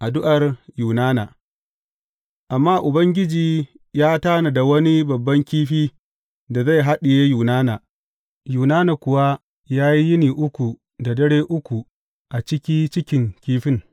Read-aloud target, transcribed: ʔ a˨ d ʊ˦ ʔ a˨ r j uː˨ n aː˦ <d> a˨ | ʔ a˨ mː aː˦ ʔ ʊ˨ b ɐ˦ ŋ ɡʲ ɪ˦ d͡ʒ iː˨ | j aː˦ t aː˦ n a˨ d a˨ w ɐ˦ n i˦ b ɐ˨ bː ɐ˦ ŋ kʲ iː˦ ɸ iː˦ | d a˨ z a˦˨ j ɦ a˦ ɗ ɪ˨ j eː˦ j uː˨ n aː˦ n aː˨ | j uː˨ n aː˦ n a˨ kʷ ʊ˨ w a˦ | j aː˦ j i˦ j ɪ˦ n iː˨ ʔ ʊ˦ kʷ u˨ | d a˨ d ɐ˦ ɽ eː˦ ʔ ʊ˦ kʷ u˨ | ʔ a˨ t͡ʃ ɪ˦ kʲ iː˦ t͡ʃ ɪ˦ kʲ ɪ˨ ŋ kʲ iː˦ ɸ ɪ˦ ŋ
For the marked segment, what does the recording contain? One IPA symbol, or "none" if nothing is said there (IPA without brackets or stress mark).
n